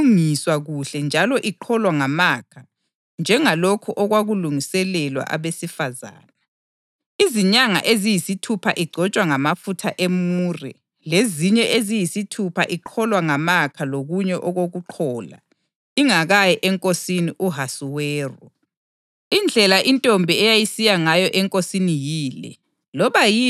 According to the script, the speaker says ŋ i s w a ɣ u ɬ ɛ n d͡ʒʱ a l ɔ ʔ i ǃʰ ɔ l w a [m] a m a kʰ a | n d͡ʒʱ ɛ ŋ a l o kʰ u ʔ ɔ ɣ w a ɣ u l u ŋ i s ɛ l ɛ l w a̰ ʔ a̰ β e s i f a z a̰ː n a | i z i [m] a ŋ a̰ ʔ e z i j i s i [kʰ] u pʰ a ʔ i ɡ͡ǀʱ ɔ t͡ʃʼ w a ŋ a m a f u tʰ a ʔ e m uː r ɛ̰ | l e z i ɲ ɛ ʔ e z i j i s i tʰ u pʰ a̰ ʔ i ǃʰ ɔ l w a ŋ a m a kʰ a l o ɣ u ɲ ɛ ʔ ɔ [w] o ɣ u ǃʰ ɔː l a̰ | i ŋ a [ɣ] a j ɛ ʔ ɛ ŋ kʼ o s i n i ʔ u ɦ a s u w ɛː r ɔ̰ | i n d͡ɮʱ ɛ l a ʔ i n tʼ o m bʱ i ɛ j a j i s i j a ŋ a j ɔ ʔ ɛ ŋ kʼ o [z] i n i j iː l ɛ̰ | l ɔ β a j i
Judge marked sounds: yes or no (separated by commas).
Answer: no, no, no, no, yes, no